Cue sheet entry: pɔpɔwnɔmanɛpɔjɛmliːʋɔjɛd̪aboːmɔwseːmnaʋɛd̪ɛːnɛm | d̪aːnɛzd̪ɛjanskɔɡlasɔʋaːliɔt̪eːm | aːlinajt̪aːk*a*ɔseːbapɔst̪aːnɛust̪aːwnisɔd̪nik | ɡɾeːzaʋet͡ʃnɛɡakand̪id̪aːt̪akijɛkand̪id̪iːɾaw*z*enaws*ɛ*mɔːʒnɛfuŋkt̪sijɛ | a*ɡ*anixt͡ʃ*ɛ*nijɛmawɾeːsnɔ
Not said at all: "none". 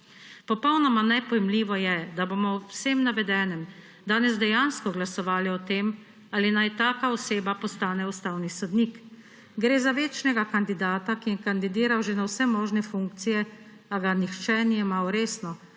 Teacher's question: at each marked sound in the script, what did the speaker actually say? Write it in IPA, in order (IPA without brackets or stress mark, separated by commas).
a, ʒ, ɛ, ɡ, ɛ